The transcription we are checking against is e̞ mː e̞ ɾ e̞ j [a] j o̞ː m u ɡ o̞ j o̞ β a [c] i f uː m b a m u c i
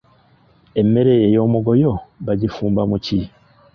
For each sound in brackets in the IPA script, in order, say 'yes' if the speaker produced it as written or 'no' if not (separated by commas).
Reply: no, no